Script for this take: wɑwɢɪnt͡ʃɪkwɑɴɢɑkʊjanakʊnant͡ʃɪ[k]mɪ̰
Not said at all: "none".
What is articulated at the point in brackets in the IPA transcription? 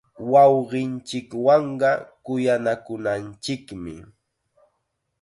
k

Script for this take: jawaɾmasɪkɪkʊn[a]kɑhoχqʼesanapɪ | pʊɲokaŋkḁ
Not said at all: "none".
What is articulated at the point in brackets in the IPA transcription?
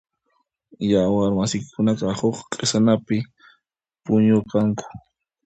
a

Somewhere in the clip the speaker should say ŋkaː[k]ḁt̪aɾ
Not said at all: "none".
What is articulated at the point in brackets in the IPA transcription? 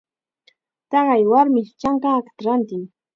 k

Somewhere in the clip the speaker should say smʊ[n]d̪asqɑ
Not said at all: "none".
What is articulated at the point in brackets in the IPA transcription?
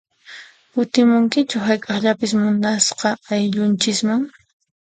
n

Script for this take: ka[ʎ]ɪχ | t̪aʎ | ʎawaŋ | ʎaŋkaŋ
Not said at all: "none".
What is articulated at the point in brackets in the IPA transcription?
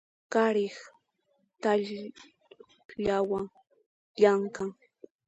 ɾ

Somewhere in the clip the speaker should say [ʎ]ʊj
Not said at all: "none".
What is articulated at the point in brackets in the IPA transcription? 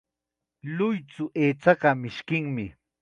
l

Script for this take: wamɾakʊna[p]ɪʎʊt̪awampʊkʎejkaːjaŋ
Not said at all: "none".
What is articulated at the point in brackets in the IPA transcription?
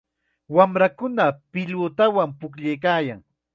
p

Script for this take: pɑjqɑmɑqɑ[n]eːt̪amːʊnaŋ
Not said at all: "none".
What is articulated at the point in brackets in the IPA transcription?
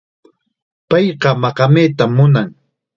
m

